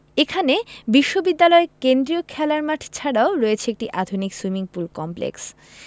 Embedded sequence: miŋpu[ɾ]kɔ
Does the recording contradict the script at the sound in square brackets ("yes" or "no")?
yes